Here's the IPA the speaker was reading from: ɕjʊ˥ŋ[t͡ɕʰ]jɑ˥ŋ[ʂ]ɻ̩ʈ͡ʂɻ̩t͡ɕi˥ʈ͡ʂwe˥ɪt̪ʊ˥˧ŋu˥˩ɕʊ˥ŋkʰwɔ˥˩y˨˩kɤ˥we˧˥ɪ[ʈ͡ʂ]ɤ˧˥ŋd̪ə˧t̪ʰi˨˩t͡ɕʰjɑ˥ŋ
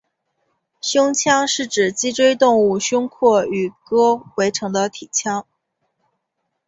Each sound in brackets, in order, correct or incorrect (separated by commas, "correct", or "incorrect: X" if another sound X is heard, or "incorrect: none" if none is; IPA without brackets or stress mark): correct, correct, incorrect: ʈ͡ʂʰ